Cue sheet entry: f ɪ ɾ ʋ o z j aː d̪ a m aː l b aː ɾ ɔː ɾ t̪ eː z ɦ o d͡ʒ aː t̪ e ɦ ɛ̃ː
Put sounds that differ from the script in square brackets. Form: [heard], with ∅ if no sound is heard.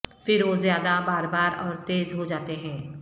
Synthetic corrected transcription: f ɪ ɾ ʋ o z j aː d̪ a [b] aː [ɾ] b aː ɾ ɔː ɾ t̪ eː z ɦ o d͡ʒ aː t̪ e ɦ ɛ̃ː